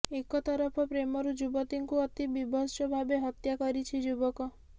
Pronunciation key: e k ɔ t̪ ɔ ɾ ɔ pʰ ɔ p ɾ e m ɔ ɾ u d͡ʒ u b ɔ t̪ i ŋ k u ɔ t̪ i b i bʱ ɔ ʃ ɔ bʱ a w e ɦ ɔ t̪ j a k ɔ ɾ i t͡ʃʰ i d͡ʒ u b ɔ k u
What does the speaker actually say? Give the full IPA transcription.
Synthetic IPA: e k ɔ t̪ ɔ ɾ ɔ pʰ ɔ p ɾ e m ɔ ɾ u d͡ʒ u b ɔ t̪ i ŋ k u ɔ t̪ i b i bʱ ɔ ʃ ɔ bʱ a b e ɦ ɔ t̪ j a k ɔ ɾ i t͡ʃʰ i d͡ʒ u b ɔ k ɔ